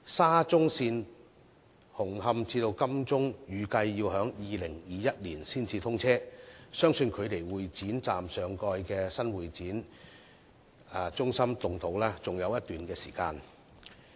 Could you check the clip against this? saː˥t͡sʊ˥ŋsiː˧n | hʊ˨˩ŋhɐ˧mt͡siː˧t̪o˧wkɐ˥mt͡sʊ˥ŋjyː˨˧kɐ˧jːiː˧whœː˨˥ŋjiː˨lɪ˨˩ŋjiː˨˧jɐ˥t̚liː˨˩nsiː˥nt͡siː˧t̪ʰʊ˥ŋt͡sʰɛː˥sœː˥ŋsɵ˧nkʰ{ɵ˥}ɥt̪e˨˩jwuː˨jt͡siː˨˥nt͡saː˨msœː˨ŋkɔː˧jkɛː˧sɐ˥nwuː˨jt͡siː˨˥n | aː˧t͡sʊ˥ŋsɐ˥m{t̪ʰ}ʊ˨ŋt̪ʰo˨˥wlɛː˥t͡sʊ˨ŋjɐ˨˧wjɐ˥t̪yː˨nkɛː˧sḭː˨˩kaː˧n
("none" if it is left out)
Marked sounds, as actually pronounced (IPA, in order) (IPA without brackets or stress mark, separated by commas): ɵ˨˧, t̪